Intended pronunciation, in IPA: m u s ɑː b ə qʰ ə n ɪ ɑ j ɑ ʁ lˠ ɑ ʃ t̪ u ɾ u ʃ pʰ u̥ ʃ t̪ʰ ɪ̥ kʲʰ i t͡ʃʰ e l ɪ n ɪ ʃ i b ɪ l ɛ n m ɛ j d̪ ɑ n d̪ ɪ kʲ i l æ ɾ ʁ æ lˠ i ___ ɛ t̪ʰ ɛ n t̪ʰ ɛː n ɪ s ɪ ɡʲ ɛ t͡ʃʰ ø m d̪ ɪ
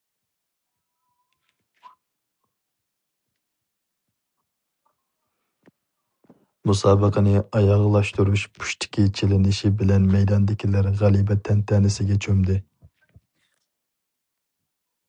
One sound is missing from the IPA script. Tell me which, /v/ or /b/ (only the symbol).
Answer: b